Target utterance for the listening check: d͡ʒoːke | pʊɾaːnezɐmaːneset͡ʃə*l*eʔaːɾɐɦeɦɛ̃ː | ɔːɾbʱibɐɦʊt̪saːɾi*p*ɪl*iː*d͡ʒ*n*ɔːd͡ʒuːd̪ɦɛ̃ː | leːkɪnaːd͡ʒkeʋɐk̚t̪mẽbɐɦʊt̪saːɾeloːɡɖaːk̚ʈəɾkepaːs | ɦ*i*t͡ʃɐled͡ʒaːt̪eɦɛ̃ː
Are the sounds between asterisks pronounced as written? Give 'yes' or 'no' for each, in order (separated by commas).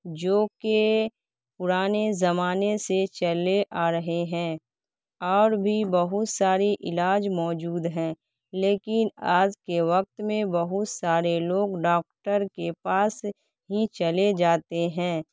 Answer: yes, no, no, no, yes